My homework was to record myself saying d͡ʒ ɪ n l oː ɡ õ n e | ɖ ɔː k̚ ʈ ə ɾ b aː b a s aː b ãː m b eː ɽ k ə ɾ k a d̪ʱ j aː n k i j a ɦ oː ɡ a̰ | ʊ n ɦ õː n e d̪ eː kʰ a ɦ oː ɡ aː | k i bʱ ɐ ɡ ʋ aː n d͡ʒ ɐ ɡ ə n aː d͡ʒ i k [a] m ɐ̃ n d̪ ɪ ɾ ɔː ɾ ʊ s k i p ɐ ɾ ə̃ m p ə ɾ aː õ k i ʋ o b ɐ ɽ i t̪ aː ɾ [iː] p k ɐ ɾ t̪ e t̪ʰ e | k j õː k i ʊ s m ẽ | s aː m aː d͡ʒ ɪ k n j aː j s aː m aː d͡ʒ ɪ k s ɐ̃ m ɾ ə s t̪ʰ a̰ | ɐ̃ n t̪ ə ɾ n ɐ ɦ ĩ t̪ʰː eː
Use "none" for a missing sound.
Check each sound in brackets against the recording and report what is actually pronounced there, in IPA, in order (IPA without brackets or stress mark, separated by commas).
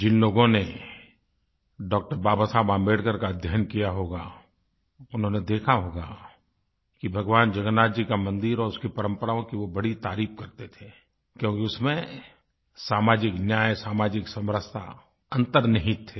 a, iː